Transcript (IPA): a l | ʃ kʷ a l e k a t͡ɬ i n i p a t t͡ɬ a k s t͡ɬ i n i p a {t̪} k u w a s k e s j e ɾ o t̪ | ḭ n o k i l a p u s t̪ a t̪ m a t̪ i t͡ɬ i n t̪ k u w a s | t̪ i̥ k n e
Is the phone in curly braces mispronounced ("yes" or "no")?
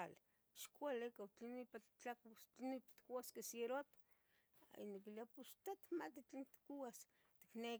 no